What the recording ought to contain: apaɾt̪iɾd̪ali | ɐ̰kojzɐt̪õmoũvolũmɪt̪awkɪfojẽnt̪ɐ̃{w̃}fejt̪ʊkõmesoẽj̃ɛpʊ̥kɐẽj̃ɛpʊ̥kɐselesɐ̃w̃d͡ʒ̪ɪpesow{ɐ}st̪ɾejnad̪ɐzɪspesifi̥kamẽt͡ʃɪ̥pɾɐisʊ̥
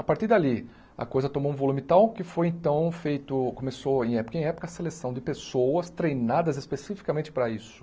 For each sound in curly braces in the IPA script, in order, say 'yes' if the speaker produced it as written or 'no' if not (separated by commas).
yes, yes